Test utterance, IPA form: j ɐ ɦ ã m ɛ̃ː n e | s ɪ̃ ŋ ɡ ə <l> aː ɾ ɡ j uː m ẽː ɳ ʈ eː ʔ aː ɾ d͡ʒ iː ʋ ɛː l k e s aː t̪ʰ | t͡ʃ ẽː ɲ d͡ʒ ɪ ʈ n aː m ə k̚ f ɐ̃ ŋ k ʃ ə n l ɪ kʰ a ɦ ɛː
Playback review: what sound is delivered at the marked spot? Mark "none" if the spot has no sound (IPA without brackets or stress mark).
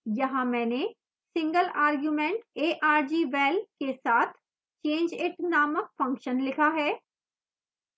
l